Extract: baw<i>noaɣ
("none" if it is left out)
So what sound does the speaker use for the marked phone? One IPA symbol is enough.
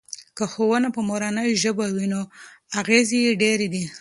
i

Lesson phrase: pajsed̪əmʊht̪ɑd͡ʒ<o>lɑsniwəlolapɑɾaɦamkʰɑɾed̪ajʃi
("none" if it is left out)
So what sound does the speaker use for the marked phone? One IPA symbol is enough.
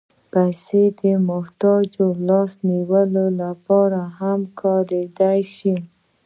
o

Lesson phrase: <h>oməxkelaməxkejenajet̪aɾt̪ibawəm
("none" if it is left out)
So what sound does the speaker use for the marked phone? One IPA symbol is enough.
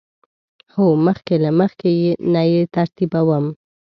h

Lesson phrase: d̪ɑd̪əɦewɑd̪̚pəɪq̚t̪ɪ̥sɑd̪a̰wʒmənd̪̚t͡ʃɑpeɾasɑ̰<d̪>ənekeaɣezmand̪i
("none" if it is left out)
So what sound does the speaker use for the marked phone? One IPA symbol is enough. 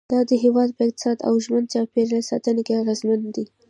t̪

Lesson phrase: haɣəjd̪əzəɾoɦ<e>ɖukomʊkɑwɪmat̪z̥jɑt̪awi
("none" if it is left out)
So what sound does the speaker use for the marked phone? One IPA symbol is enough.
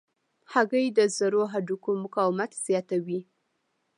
a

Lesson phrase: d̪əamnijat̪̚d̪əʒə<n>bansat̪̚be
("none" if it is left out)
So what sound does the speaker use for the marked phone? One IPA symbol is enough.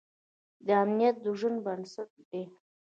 n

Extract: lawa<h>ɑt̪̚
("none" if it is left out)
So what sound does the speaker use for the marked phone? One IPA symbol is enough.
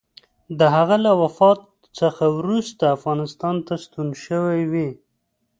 f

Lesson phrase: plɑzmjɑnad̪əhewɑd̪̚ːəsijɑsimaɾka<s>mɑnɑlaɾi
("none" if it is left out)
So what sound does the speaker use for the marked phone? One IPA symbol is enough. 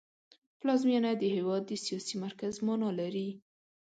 z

